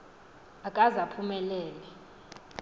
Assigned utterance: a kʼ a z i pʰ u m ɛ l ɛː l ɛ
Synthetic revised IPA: a kʼ a z a pʰ u m ɛ l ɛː l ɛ